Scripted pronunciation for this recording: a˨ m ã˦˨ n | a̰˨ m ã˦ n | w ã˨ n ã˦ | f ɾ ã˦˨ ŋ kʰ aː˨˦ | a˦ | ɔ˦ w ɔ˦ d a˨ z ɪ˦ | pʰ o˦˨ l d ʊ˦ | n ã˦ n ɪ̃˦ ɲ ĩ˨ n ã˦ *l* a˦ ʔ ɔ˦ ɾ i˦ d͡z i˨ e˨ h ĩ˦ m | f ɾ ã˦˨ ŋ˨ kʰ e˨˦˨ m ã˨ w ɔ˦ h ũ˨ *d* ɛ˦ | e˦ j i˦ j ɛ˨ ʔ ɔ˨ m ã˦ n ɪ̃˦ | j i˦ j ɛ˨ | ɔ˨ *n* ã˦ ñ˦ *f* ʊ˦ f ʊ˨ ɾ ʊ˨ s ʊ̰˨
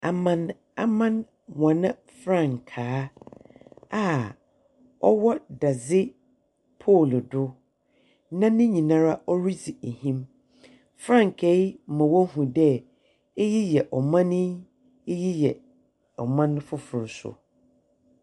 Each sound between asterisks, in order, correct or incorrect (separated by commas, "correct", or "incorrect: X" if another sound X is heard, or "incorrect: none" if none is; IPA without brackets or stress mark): incorrect: ɾ, correct, incorrect: m, correct